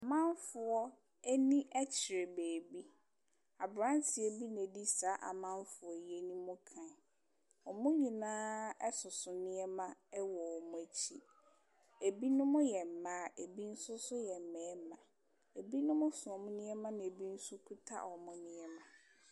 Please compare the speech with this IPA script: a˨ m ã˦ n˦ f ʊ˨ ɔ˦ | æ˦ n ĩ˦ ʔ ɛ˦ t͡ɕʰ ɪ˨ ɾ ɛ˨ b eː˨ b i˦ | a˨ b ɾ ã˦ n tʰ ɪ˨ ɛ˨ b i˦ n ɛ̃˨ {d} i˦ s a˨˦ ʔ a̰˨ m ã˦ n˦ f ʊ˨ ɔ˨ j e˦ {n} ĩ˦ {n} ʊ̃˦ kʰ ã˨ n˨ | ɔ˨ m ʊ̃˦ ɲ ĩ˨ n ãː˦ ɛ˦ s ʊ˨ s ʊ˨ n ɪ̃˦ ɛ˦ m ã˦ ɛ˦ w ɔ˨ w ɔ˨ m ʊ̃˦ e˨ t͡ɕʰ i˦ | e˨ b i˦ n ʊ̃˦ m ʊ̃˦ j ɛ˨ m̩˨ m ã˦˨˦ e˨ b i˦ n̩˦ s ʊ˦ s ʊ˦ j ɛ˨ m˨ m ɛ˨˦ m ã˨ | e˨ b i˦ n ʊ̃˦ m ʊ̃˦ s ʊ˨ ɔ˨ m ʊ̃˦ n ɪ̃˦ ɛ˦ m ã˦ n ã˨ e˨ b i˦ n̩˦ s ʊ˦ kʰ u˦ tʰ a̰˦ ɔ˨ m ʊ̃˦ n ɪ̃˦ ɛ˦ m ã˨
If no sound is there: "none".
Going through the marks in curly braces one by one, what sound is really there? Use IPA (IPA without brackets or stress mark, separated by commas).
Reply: d, n, m